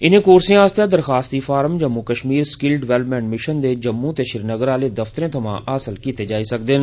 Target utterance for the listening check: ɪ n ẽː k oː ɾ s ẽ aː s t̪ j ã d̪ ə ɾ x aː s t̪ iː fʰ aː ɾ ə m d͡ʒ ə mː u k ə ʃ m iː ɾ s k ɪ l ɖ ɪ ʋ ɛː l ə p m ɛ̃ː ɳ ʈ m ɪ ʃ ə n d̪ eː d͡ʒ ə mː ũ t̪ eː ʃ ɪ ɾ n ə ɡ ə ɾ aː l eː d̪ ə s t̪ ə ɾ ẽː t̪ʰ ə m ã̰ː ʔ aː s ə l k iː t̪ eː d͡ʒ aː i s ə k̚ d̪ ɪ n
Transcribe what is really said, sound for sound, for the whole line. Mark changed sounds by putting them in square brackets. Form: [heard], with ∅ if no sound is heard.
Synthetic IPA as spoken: ɪ n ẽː k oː ɾ s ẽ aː s t̪ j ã d̪ ə ɾ x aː s t̪ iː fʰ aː ɾ ə m d͡ʒ ə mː u k ə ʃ m iː ɾ s k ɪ l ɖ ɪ ʋ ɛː l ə p m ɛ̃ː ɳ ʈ m ɪ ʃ ə n d̪ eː d͡ʒ ə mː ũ t̪ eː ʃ ɪ ɾ n ə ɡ ə ɾ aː l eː d̪ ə [f] t̪ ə ɾ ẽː t̪ʰ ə m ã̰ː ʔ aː s ə l k iː t̪ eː d͡ʒ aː i s ə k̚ d̪ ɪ n

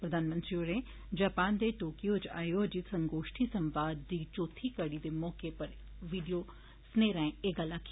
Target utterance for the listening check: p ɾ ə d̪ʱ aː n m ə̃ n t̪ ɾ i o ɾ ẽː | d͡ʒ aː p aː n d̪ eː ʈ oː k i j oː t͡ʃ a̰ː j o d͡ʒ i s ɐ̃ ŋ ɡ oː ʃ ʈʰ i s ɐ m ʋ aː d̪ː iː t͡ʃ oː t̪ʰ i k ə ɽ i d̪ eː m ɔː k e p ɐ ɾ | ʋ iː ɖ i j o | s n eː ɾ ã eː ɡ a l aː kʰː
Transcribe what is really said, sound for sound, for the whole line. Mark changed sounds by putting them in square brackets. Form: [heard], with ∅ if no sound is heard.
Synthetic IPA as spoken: p ɾ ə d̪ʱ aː n m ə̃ n t̪ ɾ i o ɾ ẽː | d͡ʒ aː p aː n d̪ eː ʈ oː k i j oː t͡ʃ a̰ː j o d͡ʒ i s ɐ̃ ŋ ɡ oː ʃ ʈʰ i s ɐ m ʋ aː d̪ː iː t͡ʃ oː t̪ʰ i k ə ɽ i d̪ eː m ɔː k e p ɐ ɾ | ʋ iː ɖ i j o | s n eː ɾ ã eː ɡ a l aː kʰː

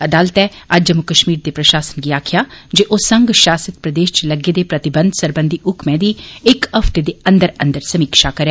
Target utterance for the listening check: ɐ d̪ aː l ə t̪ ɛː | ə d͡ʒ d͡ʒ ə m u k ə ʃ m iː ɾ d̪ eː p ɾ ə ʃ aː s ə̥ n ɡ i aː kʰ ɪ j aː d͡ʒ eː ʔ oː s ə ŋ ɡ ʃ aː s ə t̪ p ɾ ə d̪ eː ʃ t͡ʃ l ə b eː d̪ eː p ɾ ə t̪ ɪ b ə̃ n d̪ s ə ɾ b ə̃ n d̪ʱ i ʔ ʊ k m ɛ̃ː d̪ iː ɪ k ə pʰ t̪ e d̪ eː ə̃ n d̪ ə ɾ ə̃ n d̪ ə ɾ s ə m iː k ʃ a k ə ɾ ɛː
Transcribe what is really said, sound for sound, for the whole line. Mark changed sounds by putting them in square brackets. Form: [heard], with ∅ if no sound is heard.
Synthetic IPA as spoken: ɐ d̪ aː l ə t̪ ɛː | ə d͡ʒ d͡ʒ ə m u k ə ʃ m iː ɾ d̪ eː p ɾ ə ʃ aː s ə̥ n ɡ i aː kʰ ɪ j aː d͡ʒ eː ʔ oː s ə ŋ ɡ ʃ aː s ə t̪ p ɾ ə d̪ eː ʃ t͡ʃ l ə [ɡ] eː d̪ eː p ɾ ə t̪ ɪ b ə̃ n d̪ s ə ɾ b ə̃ n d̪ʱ i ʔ ʊ k m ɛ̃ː d̪ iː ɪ k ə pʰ t̪ e d̪ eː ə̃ n d̪ ə ɾ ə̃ n d̪ ə ɾ s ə m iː k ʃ a k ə ɾ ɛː

